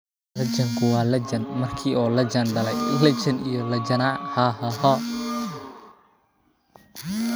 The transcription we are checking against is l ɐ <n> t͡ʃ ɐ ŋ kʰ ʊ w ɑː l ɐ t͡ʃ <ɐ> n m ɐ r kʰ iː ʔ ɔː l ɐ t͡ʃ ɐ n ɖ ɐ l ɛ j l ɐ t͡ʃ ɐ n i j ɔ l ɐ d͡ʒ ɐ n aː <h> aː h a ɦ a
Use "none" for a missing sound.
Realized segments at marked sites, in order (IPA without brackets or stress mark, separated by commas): none, ɐ, h